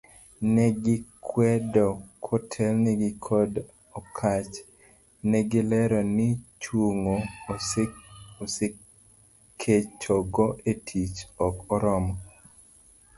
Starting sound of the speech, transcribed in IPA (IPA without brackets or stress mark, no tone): n